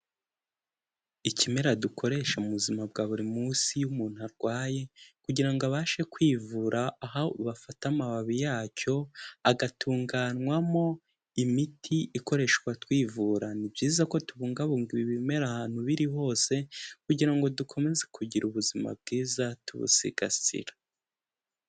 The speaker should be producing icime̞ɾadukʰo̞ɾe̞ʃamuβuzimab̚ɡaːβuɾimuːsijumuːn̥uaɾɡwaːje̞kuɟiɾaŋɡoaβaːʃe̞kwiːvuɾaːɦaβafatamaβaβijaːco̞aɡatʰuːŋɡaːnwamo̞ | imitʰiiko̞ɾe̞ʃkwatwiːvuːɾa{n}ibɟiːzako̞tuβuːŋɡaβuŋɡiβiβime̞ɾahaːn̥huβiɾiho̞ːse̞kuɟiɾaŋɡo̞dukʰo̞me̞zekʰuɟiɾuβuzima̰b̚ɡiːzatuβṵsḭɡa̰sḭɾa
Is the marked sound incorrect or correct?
correct